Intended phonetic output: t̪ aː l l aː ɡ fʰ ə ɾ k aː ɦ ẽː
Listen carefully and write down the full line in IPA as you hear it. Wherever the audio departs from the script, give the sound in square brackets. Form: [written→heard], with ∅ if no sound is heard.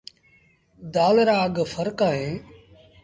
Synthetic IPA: [t̪→d̪] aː l [l→ɾ] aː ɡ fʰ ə ɾ k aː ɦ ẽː